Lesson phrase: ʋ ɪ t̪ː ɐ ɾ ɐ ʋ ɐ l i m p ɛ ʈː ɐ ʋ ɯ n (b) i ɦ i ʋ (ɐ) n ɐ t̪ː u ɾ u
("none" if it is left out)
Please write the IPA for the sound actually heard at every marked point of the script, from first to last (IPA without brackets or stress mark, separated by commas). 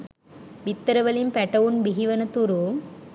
b, ɐ